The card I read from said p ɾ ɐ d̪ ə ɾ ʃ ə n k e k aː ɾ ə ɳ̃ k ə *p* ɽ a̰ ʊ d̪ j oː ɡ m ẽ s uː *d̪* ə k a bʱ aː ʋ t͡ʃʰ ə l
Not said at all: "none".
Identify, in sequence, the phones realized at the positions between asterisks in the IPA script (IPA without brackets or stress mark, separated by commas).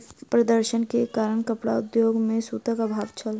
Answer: p, t̪